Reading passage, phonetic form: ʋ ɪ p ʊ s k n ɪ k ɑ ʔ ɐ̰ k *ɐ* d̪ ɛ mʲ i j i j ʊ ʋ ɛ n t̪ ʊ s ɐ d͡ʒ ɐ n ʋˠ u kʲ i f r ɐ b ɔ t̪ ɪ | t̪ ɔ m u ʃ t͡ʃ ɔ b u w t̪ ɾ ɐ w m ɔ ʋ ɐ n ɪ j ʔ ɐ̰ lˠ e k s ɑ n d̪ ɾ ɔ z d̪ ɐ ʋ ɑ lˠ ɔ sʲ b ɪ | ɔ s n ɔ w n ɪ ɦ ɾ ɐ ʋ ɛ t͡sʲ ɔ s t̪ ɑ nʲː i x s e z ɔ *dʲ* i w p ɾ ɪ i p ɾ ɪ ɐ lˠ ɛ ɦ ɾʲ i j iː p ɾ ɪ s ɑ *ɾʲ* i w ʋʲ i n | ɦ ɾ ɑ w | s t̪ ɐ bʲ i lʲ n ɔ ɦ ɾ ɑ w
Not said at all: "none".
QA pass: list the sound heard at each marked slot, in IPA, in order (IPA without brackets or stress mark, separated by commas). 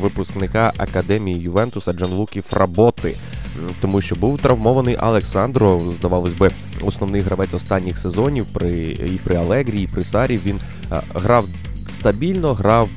ɐ, nʲ, ɾʲ